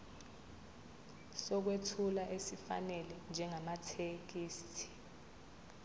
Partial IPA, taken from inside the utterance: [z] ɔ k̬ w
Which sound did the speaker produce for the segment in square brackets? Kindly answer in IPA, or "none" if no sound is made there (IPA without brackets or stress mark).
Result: s